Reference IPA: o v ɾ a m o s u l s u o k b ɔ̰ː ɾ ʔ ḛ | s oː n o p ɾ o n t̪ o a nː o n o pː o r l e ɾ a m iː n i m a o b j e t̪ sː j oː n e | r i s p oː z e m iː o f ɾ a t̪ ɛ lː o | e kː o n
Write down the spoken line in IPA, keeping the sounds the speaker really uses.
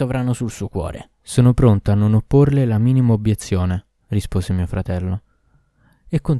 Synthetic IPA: o v ɾ a n o s u l s u o k w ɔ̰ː ɾ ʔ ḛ | s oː n o p ɾ o n t̪ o a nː o n o pː o r l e l a m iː n i m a o b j e t̪ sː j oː n e | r i s p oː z e m iː o f ɾ a t̪ ɛ lː o | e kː o n